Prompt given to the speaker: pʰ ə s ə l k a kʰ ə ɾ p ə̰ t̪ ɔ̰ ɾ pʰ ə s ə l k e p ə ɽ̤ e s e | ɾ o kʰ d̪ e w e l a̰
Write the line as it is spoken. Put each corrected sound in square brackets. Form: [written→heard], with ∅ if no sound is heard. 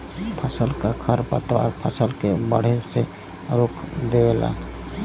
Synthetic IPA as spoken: pʰ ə s ə l k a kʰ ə ɾ p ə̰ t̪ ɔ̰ ɾ pʰ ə s ə l k e [p→b] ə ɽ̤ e s e | ɾ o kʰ d̪ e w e l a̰